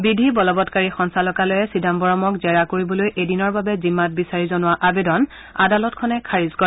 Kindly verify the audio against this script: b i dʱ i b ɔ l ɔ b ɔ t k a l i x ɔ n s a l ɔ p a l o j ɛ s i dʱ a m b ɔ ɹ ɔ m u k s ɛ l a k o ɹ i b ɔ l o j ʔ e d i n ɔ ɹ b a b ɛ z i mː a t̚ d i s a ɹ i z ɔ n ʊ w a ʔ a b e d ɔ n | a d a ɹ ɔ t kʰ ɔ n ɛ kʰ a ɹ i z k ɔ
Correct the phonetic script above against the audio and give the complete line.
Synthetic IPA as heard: b i dʱ i b ɔ l ɔ b ɔ t k a ɹ i x ɔ n s a l ɔ k a l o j ɛ s i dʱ a m b ɔ ɹ ɔ m ɔ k z ɛ ɹ a k o ɹ i b ɔ l o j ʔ e d i n ɔ ɹ b a b ɛ z i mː a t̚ b i s a ɹ i z ɔ n ʊ w a ʔ a b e d ɔ n | a d a l ɔ t kʰ ɔ n ɛ kʰ a ɹ i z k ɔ